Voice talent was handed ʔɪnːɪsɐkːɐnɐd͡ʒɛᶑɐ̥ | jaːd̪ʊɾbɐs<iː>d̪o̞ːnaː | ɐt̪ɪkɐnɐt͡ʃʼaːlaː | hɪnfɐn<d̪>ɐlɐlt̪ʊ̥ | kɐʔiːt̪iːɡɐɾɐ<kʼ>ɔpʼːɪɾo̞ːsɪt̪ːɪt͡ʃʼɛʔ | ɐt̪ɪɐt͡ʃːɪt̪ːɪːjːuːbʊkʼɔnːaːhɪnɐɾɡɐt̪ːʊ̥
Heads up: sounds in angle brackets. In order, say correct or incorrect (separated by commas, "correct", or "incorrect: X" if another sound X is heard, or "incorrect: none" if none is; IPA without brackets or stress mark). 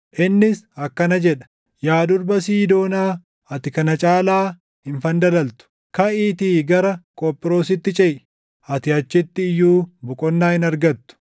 correct, correct, correct